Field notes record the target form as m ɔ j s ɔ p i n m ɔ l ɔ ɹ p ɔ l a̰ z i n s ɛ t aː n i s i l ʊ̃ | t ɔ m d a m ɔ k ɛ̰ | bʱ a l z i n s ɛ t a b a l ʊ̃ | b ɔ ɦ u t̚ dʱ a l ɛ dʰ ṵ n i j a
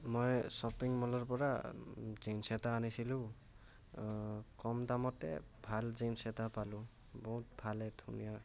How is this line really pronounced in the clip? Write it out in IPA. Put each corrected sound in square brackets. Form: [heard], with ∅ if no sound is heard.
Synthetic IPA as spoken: m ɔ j s ɔ p i [ŋ] m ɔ l ɔ ɹ p ɔ [ɹ] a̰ z i n s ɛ t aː n i s i l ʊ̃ | [k] ɔ m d a m ɔ [t] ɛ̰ | bʱ a l z i n s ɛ t a [p] a l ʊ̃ | b ɔ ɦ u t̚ [bʱ] a l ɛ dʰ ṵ n i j a